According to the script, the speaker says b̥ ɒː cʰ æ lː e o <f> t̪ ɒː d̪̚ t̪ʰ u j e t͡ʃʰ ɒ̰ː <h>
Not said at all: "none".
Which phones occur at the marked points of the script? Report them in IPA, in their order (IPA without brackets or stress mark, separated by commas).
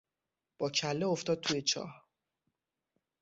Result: f, h